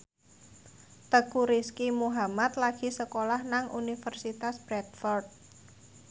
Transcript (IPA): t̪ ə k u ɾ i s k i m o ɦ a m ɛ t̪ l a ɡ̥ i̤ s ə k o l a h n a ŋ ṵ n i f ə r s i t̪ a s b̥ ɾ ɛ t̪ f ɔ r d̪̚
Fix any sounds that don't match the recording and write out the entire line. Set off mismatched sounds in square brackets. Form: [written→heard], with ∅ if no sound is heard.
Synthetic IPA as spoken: t̪ ə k u ɾ i s k i m [o→u] ɦ a m [ɛ→a] t̪ l a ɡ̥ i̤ s ə k o l a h n a ŋ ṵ n i f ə r s i t̪ a s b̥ ɾ ɛ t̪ f ɔ r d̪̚